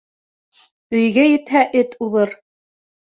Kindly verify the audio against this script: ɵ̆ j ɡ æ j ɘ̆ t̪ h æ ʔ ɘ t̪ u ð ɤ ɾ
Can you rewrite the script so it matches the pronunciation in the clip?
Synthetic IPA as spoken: ɵ̆ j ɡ æ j ɘ̆ t̪ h æ ʔ ɘ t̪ u ð ɤ ɾ